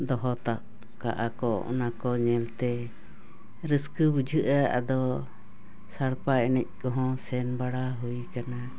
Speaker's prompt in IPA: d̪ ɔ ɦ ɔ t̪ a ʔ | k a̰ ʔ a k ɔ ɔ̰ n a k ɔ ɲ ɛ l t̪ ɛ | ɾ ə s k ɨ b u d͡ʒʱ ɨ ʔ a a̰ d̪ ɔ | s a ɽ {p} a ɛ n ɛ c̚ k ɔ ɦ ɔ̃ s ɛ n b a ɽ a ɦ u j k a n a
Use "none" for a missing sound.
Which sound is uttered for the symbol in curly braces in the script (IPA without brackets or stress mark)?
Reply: p